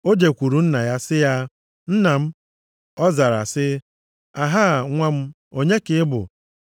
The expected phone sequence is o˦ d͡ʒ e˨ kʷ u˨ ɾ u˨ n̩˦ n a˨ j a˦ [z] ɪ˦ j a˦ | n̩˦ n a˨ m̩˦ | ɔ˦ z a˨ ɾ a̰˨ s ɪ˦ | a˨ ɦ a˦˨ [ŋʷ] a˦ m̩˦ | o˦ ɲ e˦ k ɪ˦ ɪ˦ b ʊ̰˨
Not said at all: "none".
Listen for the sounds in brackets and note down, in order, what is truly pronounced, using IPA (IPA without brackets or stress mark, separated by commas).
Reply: s, ŋʷ